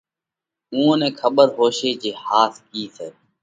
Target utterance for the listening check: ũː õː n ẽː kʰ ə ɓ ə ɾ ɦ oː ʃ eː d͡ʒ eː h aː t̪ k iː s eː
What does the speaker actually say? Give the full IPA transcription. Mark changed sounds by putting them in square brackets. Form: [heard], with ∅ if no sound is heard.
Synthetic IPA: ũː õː n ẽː kʰ ə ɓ ə ɾ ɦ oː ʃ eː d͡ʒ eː h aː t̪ k iː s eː